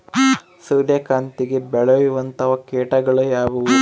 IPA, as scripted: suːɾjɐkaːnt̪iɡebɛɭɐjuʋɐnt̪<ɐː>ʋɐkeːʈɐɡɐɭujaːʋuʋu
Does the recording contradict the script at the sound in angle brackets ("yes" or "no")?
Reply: yes